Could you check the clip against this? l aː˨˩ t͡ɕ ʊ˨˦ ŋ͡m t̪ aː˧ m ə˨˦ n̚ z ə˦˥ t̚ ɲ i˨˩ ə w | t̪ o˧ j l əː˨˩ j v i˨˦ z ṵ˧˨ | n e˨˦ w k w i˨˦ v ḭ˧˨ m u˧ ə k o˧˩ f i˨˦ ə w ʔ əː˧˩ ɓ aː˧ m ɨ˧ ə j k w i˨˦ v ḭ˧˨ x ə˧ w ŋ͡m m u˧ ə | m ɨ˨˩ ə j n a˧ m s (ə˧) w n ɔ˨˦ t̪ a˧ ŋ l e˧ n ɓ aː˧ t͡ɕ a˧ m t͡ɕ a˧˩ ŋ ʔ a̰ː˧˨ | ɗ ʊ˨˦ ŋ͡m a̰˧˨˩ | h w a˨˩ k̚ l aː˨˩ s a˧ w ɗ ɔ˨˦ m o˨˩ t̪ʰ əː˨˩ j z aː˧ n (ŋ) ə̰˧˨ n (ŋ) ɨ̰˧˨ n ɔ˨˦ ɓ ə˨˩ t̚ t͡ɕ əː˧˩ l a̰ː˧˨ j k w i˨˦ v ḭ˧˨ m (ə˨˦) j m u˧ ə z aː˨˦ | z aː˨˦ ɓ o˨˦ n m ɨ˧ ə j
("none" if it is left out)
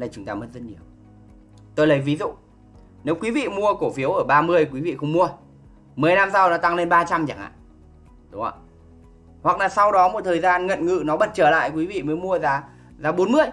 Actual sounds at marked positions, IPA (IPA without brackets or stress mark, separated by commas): a˧, ŋ, ŋ, əː˨˦